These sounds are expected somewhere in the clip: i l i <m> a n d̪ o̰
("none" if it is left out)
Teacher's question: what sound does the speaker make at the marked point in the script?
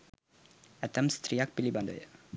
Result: b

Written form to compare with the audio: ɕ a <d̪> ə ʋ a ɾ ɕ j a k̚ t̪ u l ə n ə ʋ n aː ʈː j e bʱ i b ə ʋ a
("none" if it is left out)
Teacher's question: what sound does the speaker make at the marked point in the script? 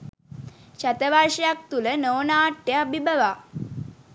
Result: t̪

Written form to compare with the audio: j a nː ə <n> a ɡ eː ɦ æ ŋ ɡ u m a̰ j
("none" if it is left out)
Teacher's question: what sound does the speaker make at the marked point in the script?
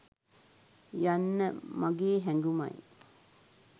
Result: m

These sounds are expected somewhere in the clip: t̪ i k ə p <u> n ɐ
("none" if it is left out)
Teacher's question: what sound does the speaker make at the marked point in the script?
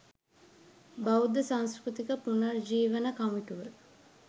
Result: u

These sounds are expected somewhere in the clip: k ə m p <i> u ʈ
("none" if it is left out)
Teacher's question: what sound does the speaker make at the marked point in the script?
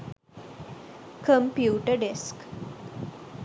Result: j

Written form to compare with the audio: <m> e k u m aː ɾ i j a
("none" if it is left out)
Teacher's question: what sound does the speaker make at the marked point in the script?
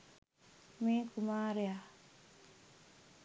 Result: m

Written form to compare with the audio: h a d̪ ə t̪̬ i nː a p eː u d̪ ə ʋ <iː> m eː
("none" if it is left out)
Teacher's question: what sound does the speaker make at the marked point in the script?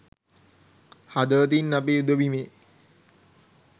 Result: i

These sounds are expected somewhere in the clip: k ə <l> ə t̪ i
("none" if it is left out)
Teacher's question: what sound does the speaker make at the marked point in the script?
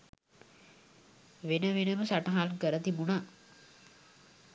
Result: ɾ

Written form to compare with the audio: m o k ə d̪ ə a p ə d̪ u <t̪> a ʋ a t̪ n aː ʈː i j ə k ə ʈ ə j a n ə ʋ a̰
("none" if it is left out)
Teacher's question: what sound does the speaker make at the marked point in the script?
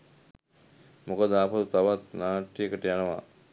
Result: t̪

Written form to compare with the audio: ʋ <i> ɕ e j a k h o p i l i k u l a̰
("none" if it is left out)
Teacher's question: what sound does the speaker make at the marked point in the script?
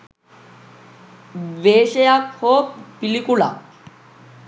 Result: e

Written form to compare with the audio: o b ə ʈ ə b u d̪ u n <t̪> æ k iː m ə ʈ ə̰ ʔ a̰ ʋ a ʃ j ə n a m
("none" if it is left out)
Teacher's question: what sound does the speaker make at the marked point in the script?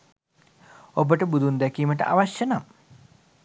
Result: d̪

